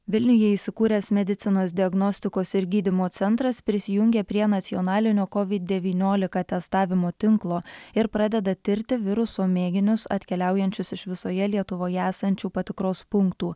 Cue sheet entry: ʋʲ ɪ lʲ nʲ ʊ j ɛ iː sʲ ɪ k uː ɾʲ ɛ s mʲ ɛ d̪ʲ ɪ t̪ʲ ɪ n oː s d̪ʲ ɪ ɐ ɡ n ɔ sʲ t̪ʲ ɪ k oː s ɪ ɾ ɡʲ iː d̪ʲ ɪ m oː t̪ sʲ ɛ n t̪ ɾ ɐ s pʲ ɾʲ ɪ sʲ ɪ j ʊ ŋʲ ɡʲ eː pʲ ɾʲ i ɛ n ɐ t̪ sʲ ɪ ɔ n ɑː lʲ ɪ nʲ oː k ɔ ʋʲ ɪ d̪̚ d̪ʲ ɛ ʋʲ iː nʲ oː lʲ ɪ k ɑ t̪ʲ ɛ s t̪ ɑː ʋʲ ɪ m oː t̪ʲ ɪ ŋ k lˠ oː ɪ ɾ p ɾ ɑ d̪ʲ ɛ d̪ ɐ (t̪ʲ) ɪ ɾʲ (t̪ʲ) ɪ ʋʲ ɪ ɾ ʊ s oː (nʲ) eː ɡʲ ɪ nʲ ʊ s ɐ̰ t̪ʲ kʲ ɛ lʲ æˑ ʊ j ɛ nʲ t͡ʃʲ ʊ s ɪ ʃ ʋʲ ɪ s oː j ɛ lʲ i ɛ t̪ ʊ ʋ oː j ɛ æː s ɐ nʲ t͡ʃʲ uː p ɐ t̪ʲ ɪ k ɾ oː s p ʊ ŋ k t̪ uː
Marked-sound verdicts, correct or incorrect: correct, correct, incorrect: mʲ

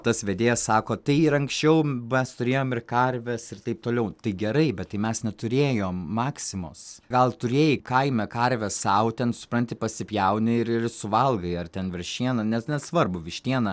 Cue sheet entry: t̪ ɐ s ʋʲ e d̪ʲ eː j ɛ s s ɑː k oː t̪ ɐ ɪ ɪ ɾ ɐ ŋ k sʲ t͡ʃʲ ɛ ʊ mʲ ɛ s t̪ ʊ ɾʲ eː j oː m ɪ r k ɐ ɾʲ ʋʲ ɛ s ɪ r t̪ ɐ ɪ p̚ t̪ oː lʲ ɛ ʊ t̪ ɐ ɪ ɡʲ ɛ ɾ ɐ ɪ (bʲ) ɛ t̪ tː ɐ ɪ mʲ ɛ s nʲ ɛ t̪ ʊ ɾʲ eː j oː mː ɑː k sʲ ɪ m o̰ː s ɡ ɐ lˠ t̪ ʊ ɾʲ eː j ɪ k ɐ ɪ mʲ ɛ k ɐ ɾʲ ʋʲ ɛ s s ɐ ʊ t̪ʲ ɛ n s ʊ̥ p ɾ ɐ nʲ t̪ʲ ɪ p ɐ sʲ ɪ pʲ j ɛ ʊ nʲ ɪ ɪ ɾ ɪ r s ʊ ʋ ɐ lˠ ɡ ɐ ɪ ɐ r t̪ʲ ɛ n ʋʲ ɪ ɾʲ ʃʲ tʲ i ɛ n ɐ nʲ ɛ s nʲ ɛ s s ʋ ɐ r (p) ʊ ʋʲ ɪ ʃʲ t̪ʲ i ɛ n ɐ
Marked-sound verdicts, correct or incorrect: correct, incorrect: b

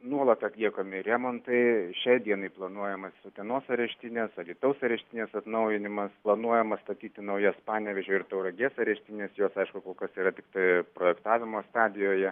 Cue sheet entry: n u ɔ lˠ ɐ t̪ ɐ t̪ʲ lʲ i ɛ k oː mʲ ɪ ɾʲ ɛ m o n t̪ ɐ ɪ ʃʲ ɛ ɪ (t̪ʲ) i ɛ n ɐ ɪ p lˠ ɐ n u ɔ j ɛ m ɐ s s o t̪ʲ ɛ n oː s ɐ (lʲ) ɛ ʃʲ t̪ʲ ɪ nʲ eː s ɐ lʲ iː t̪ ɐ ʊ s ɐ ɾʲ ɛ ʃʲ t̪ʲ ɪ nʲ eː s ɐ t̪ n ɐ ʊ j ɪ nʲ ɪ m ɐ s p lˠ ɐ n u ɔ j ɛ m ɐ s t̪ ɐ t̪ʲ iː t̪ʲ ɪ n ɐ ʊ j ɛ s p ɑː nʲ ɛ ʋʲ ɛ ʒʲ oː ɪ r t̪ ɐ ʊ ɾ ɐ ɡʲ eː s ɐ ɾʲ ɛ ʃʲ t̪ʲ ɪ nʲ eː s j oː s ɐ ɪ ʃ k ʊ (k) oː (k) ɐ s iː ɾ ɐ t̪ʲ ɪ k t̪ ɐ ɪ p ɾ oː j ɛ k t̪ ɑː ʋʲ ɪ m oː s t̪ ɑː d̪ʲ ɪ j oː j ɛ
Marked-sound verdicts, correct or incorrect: incorrect: d̪ʲ, incorrect: ɾʲ, correct, correct

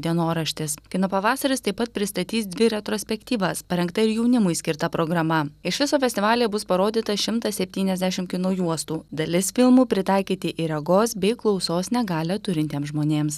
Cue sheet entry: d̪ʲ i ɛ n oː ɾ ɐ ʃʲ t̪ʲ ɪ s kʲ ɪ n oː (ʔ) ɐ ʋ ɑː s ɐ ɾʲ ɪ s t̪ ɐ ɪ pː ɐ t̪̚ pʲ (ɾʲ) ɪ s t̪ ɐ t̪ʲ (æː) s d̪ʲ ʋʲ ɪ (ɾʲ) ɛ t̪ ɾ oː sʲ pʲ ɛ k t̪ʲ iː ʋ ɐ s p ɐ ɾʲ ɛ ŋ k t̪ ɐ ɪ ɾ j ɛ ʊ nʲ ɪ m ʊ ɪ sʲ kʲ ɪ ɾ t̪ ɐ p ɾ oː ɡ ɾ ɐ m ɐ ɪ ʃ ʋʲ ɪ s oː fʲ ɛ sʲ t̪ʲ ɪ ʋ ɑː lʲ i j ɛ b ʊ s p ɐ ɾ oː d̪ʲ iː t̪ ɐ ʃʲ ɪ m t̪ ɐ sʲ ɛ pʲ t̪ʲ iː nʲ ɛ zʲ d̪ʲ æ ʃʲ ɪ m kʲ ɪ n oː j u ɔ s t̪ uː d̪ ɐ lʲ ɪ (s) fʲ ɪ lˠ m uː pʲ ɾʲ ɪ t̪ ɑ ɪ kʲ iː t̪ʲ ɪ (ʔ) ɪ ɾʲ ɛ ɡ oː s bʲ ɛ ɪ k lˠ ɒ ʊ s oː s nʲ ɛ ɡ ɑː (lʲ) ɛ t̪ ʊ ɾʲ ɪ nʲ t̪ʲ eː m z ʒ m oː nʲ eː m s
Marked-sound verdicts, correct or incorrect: incorrect: p, correct, incorrect: iː, correct, correct, correct, correct

